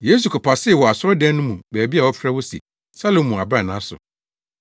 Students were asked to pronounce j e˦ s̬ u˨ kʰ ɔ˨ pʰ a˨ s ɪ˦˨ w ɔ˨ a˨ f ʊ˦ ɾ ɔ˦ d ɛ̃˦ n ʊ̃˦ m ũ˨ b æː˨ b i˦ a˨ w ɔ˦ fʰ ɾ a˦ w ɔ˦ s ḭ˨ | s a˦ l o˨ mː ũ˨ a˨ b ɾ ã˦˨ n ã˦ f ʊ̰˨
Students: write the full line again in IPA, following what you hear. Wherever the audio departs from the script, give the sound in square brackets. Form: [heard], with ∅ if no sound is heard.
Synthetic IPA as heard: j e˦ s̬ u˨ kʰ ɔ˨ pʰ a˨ s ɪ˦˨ w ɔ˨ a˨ [s] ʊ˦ ɾ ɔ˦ d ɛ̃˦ n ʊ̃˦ m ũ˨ b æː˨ b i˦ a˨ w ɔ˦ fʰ ɾ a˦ w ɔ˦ s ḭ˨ | s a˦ l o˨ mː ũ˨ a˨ b ɾ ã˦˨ n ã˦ [s] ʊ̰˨